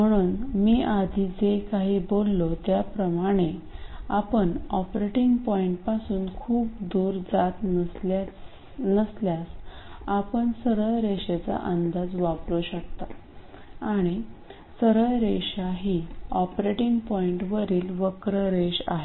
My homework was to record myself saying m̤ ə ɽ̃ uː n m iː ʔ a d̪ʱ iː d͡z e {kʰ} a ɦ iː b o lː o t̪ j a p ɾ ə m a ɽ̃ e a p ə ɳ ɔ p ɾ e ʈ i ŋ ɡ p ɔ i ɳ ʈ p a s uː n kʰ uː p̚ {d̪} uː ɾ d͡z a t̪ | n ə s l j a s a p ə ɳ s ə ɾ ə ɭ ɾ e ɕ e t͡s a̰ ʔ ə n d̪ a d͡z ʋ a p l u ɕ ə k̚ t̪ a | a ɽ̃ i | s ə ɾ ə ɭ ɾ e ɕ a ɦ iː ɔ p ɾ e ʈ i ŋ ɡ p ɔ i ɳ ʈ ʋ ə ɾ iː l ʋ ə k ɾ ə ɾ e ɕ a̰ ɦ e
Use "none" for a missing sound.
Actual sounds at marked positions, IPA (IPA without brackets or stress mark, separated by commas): k, d̪